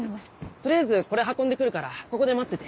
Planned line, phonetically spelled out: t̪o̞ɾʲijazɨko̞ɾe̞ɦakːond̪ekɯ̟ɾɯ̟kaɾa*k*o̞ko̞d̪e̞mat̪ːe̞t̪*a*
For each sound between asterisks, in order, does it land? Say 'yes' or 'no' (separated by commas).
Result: yes, no